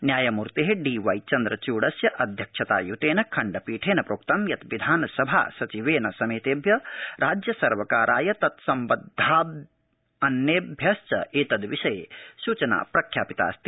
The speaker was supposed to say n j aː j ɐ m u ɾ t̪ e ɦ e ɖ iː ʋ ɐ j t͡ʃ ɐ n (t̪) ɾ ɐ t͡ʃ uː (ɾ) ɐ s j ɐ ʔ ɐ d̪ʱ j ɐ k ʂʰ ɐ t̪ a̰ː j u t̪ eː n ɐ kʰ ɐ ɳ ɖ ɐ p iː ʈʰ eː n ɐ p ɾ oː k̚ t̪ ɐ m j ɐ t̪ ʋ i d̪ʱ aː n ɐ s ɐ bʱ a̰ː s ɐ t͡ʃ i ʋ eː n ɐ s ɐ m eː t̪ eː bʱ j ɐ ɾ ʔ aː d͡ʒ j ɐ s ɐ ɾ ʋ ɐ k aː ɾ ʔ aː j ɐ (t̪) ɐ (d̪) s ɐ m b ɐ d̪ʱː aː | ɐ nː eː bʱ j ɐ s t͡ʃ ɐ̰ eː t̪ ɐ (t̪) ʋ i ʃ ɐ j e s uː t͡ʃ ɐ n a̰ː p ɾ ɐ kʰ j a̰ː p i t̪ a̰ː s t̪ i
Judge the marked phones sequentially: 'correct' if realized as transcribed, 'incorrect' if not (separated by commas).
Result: incorrect, incorrect, correct, incorrect, incorrect